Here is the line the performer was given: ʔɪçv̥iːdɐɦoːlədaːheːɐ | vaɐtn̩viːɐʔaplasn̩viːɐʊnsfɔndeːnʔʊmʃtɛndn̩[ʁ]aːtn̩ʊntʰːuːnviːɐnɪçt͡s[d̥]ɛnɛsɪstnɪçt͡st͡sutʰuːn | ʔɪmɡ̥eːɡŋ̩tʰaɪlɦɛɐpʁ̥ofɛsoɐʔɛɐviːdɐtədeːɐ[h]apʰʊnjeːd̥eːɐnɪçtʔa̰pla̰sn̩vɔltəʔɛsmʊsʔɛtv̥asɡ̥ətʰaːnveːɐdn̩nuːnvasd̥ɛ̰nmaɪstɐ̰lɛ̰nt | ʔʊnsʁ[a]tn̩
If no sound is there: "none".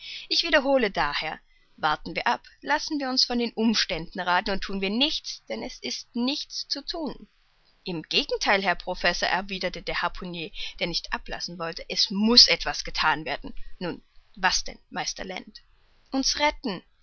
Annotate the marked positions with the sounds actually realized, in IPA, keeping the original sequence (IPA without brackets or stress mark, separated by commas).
ʁ, d̥, h, ɛ